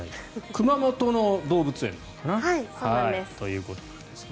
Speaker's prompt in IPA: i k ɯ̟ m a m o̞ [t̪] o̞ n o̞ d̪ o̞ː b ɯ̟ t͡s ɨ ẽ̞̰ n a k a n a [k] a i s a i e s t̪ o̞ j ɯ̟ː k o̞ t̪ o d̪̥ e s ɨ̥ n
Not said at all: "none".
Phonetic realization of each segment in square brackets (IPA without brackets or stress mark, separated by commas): t̪, none